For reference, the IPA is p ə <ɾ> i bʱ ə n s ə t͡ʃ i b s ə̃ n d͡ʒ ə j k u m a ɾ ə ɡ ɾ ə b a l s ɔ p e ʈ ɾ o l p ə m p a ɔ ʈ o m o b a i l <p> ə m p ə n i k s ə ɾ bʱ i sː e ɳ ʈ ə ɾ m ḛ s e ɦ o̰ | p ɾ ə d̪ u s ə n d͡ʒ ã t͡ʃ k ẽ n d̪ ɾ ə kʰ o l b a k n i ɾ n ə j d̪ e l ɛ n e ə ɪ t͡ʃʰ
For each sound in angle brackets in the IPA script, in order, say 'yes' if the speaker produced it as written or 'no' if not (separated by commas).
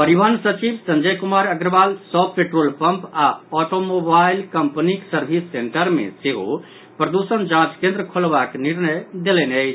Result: yes, no